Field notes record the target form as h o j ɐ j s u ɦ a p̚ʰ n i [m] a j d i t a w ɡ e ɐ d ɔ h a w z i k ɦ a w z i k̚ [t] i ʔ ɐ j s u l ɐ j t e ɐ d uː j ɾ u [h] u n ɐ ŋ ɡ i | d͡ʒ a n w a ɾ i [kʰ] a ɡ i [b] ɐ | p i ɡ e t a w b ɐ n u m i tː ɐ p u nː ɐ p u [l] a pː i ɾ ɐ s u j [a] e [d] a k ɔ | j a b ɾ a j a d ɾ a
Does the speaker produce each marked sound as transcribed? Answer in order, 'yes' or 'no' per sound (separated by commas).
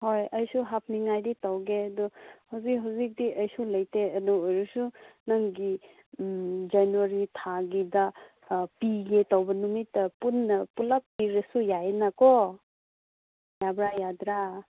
no, no, no, no, no, yes, yes, no